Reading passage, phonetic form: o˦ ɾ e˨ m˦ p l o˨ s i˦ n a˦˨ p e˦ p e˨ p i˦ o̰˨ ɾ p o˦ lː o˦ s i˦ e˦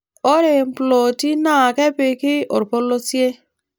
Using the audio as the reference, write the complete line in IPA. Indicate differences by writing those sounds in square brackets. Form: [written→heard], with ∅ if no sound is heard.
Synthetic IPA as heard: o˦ ɾ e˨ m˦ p l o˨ [s→t] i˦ n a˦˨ [p→k] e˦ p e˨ [p→k] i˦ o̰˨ ɾ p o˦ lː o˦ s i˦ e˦